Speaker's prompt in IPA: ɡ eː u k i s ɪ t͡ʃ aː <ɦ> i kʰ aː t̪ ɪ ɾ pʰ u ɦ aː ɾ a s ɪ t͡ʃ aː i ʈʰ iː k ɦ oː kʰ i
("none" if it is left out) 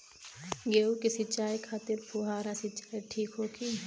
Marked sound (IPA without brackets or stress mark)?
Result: none